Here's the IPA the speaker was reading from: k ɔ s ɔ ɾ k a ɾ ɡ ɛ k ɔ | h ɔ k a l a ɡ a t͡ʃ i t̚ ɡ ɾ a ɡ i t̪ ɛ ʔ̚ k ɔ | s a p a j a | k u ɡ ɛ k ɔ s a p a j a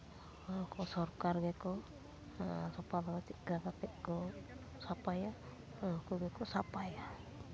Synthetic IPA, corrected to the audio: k ɔ s ɔ ɾ k a ɾ ɡ ɛ k ɔ | s ɔ p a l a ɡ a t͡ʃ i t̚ ɡ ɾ a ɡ a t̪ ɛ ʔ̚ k ɔ | s a p a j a | k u ɡ ɛ k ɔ s a p a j a

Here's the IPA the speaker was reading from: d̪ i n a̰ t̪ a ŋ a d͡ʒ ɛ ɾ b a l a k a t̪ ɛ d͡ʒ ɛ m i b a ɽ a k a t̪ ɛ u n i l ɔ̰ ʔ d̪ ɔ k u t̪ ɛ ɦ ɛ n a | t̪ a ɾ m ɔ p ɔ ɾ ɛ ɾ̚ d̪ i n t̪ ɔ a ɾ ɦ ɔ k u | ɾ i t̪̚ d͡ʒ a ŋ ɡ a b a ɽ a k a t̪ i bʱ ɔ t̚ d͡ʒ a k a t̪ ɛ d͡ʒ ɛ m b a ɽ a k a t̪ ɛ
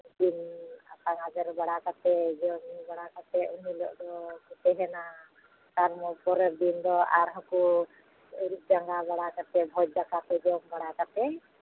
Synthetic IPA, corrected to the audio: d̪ i n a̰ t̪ a ŋ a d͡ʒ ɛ ɾ b a ɽ a k a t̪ ɛ d͡ʒ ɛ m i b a ɽ a k a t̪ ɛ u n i l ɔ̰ ʔ d̪ ɔ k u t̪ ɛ ɦ ɛ n a | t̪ a ɾ m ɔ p ɔ ɾ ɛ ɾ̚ d̪ i n d̪ ɔ a ɾ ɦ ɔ k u | ɾ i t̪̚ d͡ʒ a ŋ ɡ a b a ɽ a k a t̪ ɛ bʱ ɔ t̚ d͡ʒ a k a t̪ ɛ d͡ʒ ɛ m b a ɽ a k a t̪ ɛ

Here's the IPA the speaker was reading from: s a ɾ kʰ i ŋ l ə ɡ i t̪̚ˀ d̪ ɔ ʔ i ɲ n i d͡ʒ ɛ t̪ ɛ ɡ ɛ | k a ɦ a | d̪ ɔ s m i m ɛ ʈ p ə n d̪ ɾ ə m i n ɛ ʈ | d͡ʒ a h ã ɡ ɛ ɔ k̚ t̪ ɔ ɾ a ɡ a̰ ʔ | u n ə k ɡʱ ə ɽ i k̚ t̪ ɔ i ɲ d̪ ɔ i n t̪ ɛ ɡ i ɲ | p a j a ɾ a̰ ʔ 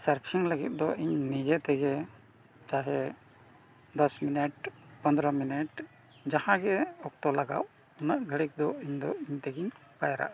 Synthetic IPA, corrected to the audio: s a ɾ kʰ i ŋ l ə ɡ i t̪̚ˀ d̪ ɔ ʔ i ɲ n i d͡ʒ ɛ t̪ ɛ ɡ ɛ | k a ɦ ɛ | d̪ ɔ s m i n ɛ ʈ p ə n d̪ ɾ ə m i n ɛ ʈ | d͡ʒ a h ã ɡ ɛ ɔ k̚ t̪ ɔ l a ɡ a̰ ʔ | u n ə ʔ ɡʱ ə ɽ i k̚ d̪ ɔ i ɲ d̪ ɔ i ɲ t̪ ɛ ɡ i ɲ | p a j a ɾ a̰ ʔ

